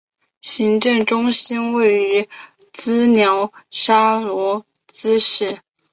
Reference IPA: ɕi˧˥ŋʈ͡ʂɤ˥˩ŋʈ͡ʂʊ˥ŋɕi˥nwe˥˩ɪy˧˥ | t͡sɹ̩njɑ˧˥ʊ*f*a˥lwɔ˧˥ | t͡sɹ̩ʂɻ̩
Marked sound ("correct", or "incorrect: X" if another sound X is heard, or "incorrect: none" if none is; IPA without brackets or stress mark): incorrect: ʂ